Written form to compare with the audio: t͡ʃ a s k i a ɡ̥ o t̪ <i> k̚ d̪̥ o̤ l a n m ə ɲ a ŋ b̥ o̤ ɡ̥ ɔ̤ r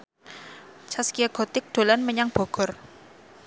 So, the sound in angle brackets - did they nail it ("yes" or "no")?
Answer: no